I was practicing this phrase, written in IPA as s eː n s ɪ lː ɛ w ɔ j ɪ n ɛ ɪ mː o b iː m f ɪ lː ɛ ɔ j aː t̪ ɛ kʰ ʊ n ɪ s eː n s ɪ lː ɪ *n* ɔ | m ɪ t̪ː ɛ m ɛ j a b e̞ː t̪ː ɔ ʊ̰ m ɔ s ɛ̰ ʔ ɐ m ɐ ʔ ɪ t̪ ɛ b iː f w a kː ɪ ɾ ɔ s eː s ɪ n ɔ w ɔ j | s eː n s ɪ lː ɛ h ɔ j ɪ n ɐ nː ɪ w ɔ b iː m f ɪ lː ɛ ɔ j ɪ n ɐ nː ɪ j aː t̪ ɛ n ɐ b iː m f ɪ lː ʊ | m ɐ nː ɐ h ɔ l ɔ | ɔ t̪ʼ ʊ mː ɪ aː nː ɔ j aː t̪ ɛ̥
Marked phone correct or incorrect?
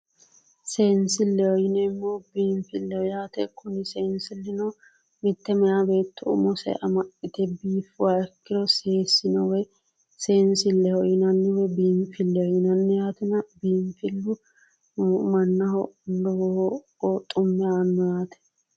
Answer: correct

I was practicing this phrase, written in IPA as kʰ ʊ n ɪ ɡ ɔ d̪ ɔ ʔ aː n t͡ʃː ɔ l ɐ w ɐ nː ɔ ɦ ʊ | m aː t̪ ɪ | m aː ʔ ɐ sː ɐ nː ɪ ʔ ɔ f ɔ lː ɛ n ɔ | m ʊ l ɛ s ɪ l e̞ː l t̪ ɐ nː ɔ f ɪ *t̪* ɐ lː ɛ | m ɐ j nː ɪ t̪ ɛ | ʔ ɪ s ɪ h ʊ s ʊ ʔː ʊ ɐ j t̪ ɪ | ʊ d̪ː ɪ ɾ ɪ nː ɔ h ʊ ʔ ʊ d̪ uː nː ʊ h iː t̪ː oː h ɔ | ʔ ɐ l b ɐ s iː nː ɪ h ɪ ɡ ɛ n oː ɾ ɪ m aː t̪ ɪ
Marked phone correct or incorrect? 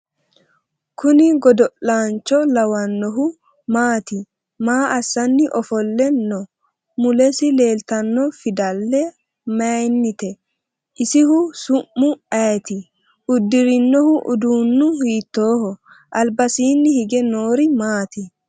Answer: incorrect: d̪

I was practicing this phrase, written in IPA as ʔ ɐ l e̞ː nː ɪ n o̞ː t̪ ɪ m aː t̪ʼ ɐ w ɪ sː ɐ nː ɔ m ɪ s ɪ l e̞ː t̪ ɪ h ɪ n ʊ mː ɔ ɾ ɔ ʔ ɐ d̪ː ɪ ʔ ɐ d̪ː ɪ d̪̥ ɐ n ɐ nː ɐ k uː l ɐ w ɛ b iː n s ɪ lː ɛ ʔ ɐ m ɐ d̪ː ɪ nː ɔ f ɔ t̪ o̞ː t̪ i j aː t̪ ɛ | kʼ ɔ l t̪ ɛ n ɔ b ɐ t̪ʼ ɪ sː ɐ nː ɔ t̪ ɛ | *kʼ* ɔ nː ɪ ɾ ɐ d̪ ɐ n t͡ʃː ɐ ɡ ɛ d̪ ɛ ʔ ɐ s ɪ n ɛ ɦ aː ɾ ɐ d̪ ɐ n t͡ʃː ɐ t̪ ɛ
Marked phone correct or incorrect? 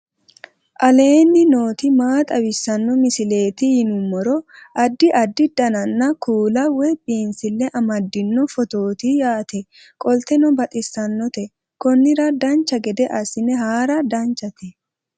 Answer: incorrect: k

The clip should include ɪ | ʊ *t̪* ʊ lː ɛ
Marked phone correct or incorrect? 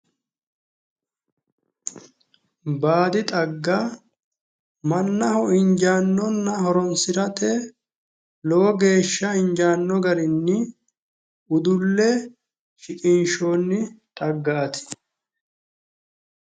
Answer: incorrect: d̪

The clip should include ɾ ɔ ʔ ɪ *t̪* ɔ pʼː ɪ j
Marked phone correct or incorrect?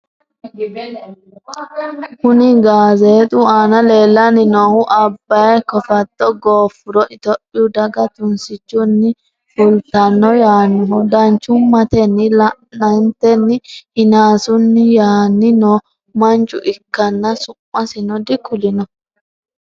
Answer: correct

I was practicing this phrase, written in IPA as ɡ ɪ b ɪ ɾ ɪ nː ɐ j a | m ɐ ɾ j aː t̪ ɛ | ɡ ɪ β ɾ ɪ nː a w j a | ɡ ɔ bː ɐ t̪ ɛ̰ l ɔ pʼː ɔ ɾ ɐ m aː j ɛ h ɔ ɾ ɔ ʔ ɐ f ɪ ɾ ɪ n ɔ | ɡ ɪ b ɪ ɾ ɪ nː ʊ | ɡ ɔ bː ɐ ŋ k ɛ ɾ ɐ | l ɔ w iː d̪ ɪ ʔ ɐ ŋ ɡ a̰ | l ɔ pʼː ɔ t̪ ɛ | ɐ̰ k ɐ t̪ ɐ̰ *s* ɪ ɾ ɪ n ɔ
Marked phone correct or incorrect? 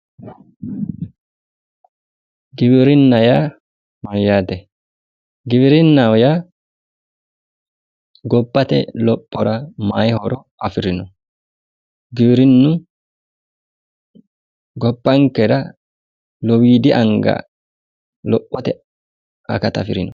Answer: incorrect: f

